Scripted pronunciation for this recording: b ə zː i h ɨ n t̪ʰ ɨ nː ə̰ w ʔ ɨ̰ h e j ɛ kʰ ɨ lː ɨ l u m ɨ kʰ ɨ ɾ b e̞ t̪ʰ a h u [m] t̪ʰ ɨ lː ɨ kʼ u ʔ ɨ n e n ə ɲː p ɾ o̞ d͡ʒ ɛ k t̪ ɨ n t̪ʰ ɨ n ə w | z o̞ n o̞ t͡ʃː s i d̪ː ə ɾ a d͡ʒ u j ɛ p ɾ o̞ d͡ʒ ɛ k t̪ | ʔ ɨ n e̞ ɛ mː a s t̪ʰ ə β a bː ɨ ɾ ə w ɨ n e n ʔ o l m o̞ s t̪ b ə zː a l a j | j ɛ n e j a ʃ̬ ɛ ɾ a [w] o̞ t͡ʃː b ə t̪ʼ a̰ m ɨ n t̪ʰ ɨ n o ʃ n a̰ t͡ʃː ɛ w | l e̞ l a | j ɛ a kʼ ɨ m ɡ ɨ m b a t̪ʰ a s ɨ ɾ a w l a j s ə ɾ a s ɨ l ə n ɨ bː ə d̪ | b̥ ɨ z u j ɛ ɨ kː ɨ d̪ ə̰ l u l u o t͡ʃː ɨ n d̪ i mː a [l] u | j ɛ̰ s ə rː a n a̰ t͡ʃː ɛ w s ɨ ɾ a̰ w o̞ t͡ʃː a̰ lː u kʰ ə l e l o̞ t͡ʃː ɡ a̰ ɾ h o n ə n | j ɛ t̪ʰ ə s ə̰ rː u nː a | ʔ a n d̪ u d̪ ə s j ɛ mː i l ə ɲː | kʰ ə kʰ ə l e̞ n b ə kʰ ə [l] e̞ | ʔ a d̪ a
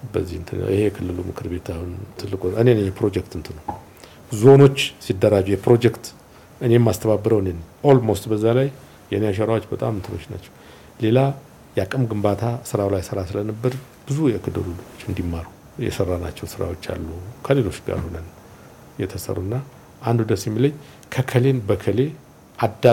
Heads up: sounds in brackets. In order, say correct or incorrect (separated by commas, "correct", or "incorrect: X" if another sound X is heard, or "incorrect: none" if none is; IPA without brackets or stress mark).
incorrect: n, correct, incorrect: ɾ, correct